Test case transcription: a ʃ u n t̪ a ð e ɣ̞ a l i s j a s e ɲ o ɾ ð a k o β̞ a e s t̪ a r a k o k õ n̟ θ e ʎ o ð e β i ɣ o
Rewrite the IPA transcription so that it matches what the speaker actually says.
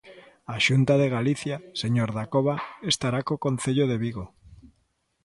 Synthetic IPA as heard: a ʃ u n t̪ a ð e ɣ̞ a l i θ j a s e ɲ o ɾ ð a k o β̞ a e s t̪ a ɾ a k o k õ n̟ θ e ʎ o ð e β i ɣ o